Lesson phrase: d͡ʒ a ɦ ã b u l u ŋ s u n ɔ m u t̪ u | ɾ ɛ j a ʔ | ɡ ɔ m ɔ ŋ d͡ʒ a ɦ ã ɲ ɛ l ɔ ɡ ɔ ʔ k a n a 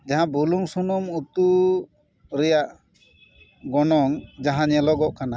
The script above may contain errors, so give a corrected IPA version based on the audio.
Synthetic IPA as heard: d͡ʒ a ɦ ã b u l u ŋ s u n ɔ m u t̪ u | ɾ ɛ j a ʔ | ɡ ɔ n ɔ ŋ d͡ʒ a ɦ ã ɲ ɛ l ɔ ɡ ɔ ʔ k a n a